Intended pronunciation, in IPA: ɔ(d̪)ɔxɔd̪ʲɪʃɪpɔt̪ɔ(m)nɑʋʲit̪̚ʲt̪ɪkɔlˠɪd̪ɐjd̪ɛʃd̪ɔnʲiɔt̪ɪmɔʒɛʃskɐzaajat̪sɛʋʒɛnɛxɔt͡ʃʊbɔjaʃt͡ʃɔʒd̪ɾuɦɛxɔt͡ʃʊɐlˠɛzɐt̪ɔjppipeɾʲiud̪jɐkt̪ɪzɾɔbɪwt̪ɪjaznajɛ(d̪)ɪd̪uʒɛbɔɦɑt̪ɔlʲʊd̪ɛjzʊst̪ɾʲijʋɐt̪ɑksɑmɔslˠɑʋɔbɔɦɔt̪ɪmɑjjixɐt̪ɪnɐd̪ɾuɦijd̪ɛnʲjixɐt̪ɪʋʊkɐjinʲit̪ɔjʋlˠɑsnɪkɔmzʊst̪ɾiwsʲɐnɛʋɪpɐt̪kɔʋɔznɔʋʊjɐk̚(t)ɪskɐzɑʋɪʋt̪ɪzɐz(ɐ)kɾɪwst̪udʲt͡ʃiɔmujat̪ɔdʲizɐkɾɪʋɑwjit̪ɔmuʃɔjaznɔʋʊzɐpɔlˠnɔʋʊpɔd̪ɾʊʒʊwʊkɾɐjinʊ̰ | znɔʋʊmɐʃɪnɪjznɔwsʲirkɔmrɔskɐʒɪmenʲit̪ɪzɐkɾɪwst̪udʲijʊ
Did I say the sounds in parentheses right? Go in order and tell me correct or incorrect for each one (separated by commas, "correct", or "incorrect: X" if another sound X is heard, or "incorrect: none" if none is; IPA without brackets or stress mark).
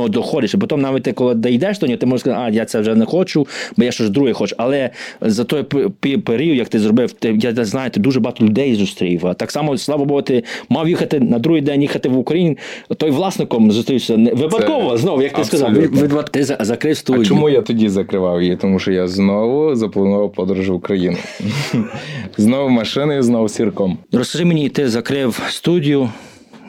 correct, correct, incorrect: t̪, correct, correct